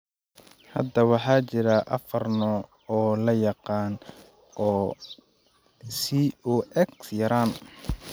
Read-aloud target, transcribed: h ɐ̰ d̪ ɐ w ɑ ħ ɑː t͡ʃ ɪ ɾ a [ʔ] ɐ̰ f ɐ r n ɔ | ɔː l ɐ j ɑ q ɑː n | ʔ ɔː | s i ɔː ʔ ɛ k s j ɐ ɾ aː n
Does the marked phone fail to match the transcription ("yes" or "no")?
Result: no